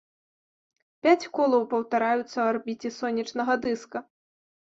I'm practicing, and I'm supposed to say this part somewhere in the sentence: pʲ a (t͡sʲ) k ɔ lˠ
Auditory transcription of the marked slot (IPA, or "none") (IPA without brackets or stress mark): t͡sʲ